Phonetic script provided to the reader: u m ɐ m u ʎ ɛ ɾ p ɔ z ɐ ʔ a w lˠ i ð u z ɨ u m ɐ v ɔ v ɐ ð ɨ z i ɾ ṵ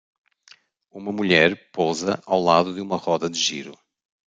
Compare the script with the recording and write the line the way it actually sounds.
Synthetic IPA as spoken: u m ɐ m u ʎ ɛ ɾ p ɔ z ɐ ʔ a w lˠ a ð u ð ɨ u m ɐ ʁ ɔ ð ɐ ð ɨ ʒ i ɾ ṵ